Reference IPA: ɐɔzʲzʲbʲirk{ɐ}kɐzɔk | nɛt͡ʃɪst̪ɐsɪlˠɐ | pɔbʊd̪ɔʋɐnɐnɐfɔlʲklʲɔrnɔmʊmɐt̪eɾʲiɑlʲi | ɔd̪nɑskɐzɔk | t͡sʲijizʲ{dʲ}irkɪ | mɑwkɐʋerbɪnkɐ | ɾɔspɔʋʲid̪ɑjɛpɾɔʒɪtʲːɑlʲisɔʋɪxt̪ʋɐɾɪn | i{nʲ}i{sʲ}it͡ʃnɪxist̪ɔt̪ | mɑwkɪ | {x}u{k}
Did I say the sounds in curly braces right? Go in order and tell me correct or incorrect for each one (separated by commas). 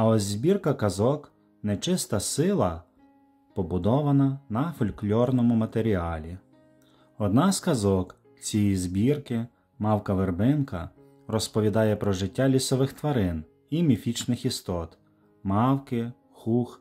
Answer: correct, incorrect, incorrect, incorrect, correct, incorrect